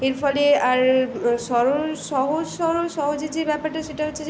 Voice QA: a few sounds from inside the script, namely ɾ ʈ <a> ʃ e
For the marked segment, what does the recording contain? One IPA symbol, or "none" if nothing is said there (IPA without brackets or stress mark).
a